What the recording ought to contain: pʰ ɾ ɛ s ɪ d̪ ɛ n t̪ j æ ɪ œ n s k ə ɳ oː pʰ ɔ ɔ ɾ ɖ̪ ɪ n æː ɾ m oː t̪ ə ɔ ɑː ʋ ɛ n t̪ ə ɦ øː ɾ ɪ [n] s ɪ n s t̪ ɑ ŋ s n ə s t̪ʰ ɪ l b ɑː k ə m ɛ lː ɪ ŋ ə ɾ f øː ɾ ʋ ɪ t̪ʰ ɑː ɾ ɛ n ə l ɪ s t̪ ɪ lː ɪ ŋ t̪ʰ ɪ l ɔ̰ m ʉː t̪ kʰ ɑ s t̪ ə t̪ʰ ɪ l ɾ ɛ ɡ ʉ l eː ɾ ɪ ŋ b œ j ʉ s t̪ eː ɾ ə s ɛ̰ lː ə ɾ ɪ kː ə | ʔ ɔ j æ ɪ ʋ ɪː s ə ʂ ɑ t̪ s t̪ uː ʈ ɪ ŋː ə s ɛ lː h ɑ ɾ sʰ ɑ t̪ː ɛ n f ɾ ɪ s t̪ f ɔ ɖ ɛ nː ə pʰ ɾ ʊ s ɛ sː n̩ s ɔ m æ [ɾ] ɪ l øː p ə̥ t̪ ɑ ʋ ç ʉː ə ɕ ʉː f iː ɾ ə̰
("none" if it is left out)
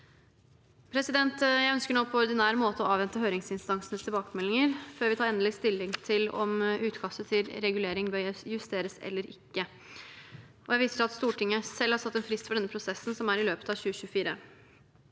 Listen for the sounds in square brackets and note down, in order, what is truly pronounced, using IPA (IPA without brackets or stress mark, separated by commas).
ŋ, ɾ